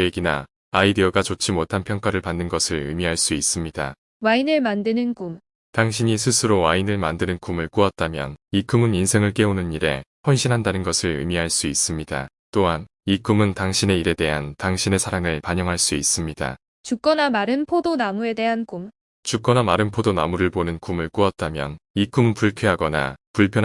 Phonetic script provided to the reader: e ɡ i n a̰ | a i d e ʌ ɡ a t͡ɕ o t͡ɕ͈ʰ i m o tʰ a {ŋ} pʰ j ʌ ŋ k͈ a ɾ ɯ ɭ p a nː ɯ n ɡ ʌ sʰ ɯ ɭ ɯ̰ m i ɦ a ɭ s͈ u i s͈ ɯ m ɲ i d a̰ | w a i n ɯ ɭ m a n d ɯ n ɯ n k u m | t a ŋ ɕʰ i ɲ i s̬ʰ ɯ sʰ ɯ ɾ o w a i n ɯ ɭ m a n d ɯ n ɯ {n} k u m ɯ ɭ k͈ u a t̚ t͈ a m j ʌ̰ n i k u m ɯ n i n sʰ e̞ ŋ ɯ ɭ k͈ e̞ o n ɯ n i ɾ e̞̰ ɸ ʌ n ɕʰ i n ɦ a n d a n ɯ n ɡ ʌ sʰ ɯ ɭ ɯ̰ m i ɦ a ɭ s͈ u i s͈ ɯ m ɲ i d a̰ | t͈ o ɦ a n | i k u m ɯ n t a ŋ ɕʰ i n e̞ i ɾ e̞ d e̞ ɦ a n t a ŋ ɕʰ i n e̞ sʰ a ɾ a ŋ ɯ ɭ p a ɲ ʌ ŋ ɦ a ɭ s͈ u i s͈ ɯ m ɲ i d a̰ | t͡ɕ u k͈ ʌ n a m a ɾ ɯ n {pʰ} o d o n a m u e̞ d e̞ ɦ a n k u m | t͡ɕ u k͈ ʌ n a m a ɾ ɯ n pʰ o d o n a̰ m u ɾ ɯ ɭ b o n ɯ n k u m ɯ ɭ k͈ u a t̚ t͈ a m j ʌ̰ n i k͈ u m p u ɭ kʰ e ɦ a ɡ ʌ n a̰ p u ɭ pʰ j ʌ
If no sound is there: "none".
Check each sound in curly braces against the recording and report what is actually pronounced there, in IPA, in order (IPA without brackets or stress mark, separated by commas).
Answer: n, n, pʰ